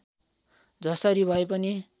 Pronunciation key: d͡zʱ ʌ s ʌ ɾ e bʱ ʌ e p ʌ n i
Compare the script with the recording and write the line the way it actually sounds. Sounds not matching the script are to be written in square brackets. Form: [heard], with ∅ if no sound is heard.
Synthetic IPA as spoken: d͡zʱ ʌ s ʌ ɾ [i] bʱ ʌ e p ʌ n i